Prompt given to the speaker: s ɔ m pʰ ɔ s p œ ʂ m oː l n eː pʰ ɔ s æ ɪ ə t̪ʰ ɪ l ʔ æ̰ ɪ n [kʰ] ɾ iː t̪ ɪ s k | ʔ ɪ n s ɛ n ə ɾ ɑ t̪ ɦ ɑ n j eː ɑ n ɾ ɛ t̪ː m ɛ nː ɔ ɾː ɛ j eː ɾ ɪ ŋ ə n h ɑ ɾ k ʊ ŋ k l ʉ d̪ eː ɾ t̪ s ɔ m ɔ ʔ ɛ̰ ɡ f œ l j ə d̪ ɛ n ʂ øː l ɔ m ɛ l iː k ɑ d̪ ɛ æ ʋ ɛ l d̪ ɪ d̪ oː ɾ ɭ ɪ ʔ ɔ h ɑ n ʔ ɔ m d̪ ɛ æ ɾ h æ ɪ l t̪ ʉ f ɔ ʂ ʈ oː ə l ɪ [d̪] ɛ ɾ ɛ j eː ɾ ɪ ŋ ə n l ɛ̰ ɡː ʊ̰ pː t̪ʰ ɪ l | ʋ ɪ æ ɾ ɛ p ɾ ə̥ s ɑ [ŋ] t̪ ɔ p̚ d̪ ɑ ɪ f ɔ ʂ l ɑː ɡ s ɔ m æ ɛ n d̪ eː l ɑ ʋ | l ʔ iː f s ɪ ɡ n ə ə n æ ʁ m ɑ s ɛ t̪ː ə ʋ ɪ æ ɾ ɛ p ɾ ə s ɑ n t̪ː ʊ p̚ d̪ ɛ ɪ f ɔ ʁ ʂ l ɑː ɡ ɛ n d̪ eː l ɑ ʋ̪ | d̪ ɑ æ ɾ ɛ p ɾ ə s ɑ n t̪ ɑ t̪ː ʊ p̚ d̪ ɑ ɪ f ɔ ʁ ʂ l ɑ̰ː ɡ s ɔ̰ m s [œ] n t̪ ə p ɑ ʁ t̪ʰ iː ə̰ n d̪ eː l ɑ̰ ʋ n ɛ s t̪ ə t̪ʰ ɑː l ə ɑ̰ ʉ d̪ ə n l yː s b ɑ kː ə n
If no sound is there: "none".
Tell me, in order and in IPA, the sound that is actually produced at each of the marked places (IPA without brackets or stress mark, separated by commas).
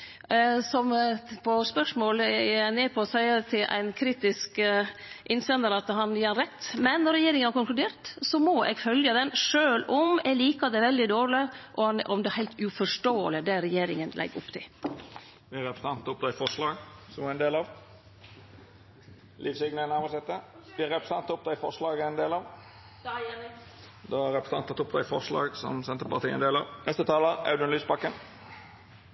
kʰ, d̪, n, ɛ